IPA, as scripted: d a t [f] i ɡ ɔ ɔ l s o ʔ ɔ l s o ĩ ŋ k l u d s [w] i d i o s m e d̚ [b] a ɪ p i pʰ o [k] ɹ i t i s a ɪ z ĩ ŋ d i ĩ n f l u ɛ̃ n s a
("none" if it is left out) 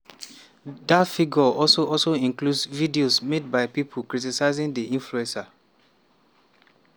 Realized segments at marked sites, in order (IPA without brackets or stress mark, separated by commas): f, v, b, k